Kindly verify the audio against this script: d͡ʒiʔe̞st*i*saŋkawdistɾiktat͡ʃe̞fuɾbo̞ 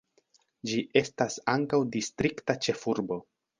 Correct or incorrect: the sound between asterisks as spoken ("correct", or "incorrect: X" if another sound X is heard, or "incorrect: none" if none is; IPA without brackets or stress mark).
incorrect: a